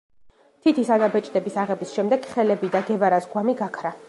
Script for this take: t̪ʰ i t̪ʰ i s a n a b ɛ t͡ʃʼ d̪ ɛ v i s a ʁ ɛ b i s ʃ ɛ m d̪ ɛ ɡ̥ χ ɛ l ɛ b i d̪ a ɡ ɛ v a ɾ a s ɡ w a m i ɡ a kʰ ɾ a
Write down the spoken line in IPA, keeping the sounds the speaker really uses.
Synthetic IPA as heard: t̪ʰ i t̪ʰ i s a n a b ɛ t͡ʃʼ d̪ ɛ b i s a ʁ ɛ b i s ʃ ɛ m d̪ ɛ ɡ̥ χ ɛ l ɛ b i d̪ a ɡ ɛ v a ɾ a s ɡ w a m i ɡ a kʰ ɾ a